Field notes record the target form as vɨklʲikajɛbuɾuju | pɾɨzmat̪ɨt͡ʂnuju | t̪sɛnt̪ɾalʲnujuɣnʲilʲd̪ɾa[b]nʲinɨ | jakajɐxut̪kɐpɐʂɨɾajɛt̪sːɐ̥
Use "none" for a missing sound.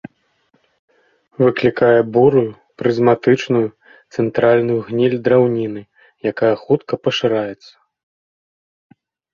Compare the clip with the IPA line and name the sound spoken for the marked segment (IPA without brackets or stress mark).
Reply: w